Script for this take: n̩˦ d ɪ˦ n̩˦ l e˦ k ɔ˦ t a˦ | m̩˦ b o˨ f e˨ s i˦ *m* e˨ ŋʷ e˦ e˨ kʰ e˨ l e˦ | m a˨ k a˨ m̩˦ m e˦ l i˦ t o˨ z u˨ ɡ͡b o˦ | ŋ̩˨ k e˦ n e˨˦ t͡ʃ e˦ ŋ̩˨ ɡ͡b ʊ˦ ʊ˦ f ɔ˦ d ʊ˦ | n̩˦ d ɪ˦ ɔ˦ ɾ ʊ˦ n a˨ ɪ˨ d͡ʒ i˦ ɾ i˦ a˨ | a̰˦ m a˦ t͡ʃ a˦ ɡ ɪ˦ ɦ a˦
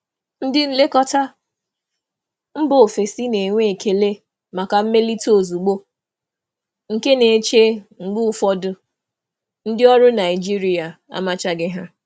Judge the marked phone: incorrect: n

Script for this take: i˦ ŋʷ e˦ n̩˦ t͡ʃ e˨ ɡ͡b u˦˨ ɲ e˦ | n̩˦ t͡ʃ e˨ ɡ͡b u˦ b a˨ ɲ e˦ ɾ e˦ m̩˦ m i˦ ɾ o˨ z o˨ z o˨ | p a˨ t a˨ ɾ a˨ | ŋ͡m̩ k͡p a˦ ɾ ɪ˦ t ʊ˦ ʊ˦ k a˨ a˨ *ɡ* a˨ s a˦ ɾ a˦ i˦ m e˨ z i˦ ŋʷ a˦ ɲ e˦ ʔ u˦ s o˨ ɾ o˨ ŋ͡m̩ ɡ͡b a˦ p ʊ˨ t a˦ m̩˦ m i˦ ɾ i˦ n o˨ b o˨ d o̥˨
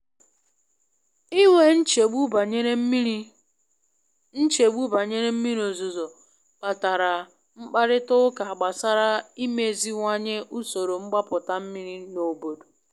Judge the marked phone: incorrect: ɡ͡b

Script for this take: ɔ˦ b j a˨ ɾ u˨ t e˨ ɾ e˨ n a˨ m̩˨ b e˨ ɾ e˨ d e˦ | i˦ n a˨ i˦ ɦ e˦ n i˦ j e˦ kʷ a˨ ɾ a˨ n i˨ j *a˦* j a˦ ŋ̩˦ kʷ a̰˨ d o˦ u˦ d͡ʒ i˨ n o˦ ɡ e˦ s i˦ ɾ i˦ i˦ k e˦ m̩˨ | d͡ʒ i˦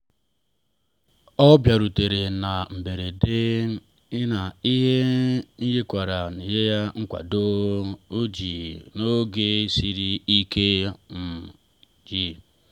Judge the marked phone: incorrect: e˦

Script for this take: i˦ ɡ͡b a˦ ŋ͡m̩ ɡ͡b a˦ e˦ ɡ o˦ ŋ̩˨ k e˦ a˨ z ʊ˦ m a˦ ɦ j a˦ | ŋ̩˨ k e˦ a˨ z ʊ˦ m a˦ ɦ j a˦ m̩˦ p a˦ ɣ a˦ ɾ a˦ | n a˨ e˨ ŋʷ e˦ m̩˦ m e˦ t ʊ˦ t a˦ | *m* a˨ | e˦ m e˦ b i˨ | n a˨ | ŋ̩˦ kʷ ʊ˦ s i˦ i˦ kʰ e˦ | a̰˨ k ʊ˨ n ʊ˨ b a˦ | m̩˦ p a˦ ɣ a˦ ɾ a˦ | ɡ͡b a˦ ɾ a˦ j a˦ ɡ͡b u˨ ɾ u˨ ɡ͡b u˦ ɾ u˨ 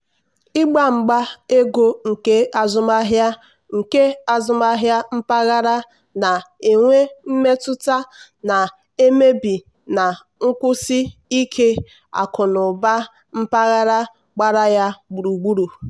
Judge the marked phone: incorrect: n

